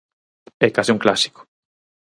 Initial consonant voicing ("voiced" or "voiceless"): voiceless